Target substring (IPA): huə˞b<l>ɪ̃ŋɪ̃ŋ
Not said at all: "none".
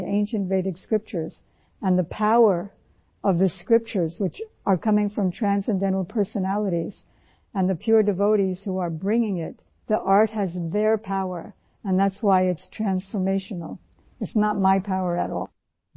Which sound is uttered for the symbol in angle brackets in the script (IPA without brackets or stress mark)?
ɹ